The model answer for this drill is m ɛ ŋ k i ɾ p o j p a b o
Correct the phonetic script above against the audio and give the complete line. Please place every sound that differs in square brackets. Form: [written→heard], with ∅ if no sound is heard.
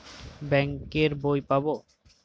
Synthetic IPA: [m→b] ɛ ŋ k [i→e] ɾ [p→b] o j p a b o

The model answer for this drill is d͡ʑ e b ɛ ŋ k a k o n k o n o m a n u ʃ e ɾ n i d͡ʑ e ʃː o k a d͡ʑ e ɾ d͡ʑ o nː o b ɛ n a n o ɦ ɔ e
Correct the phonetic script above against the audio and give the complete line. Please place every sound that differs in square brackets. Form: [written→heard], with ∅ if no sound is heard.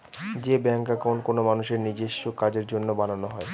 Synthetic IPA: d͡ʑ e b ɛ ŋ k a k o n k o n o m a n u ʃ e ɾ n i d͡ʑ e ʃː o k a d͡ʑ e ɾ d͡ʑ o nː o b [ɛ→a] n a n o ɦ ɔ e

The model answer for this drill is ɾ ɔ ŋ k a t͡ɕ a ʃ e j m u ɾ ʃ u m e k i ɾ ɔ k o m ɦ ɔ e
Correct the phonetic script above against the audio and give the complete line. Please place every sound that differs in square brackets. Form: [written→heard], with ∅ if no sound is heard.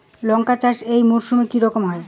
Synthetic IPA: [ɾ→l] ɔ ŋ k a t͡ɕ a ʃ e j m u ɾ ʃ u m e k i ɾ ɔ k o m ɦ ɔ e

